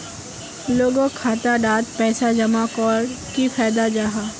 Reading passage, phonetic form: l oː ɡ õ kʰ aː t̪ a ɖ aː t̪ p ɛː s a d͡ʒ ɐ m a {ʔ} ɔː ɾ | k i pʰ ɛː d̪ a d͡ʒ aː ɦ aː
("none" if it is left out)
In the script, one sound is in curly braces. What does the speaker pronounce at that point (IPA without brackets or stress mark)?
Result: k